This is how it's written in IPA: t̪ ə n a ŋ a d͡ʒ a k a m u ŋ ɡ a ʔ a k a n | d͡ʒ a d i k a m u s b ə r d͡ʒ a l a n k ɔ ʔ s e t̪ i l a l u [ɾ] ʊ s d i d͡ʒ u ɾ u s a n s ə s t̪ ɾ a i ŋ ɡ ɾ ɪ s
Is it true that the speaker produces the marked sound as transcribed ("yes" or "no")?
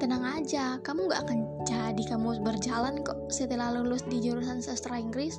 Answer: no